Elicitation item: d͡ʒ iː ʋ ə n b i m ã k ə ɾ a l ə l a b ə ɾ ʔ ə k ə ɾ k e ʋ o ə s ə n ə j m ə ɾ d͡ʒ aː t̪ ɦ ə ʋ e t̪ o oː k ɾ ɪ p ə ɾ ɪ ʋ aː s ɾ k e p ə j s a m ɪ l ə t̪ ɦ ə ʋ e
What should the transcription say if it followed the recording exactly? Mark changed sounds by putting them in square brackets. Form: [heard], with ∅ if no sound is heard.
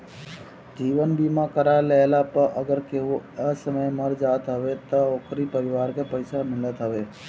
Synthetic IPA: d͡ʒ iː ʋ ə n b i m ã k ə ɾ a l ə l a [p] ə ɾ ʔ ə [ɡ] ə ɾ k e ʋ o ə s ə [m] ə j m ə ɾ d͡ʒ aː t̪ ɦ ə ʋ e t̪ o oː k ɾ [i] p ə ɾ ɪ ʋ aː [∅] ɾ k e p ə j s a m ɪ l ə t̪ ɦ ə ʋ e

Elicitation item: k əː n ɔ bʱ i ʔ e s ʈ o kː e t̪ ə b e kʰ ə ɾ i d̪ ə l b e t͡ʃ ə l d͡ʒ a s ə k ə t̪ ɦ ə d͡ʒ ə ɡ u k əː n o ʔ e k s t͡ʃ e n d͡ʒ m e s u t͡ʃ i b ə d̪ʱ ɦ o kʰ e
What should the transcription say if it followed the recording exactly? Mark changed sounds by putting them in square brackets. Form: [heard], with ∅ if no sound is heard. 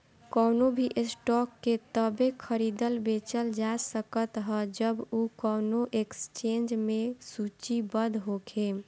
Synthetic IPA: k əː n [o] bʱ i ʔ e s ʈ [ɔ] kː e t̪ ə b e kʰ ə ɾ i d̪ ə l b e t͡ʃ ə l d͡ʒ a s ə k ə t̪ ɦ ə d͡ʒ ə [b] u k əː n o ʔ e k s t͡ʃ e n d͡ʒ m e s u t͡ʃ i b ə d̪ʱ ɦ o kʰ e

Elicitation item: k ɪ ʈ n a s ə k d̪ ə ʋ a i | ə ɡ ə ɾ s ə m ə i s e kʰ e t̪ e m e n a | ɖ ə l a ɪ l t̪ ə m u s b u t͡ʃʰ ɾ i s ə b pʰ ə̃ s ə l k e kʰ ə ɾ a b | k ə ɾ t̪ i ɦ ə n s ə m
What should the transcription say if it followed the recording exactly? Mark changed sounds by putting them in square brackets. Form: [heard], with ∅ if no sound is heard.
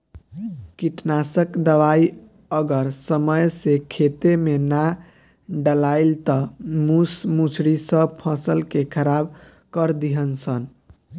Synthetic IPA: k [i] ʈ n a s ə k d̪ ə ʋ a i | ə ɡ ə ɾ s ə m ə [j] s e kʰ e t̪ e m e n a | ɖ ə l a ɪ l t̪ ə m u s [m] u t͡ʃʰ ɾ i s ə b pʰ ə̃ s ə l k e kʰ ə ɾ a b | k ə ɾ [d̪] i ɦ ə n s ə [n]

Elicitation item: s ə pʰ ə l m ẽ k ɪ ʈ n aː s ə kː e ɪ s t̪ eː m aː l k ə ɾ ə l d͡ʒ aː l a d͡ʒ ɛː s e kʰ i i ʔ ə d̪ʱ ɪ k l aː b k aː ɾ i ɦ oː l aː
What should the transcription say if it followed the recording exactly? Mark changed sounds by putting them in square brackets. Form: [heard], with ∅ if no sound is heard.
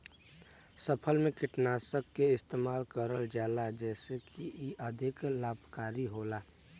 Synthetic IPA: s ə pʰ ə l m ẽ k ɪ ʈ n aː s ə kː e ɪ s t̪ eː m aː l k ə ɾ ə l d͡ʒ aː l a d͡ʒ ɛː s e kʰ i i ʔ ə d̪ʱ ɪ k l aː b k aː ɾ i ɦ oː l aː

